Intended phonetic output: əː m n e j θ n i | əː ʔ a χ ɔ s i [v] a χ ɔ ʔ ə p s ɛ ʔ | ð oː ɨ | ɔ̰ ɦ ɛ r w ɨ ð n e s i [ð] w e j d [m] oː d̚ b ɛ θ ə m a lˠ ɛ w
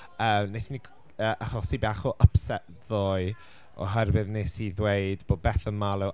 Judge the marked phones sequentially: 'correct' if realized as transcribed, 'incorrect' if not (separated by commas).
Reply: incorrect, correct, incorrect